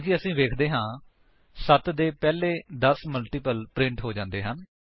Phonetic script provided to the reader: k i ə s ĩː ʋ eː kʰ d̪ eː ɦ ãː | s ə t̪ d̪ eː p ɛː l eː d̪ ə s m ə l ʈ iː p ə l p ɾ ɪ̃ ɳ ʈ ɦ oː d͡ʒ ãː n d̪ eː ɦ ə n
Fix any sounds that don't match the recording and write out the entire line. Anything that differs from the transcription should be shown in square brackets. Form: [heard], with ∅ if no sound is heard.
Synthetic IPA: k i ə s ĩː ʋ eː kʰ d̪ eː ɦ ãː | s ə t̪ d̪ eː p ɛː l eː d̪ ə s m ə l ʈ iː p ə l p ɾ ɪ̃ ɳ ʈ ɦ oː d͡ʒ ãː n d̪ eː ɦ ə n